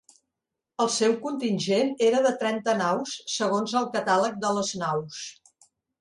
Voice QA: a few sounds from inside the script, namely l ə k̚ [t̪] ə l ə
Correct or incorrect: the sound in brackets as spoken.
incorrect: d̪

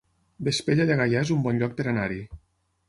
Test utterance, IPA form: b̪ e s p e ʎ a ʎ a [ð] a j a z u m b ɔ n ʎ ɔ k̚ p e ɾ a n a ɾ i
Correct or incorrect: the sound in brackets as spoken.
incorrect: ɣ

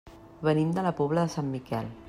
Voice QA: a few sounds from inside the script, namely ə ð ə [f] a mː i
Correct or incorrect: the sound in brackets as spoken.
incorrect: s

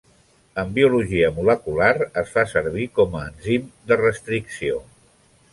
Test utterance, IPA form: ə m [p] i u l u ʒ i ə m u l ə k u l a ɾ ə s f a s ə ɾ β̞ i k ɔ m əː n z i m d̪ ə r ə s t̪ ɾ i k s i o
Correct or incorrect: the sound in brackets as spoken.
incorrect: b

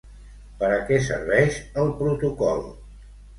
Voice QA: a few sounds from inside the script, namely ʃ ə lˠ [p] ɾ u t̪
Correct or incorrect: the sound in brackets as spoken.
correct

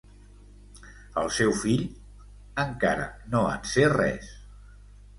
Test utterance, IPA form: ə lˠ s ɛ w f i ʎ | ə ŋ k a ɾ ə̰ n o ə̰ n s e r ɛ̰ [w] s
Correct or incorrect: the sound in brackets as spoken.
incorrect: none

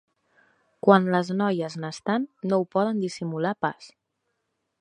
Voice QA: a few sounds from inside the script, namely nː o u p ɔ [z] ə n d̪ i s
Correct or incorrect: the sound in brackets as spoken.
incorrect: ð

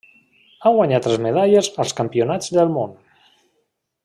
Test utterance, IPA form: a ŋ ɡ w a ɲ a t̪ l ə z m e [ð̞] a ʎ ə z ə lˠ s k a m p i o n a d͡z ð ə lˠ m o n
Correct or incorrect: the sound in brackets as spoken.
correct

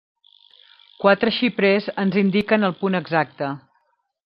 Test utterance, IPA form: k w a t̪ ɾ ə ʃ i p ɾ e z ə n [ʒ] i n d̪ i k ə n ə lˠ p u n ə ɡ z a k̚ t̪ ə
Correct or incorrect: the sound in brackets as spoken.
incorrect: z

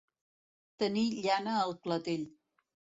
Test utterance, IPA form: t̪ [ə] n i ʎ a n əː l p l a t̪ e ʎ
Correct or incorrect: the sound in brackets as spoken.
correct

